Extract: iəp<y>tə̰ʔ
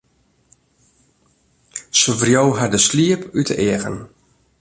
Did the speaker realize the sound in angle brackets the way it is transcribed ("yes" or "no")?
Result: yes